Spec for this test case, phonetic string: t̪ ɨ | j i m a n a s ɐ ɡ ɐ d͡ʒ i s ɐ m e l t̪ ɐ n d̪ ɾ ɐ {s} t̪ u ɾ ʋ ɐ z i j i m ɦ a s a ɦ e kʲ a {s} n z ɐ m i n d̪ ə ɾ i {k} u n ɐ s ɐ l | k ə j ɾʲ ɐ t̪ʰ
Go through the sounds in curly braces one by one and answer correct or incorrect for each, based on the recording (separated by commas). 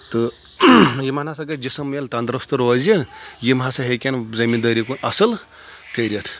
correct, incorrect, correct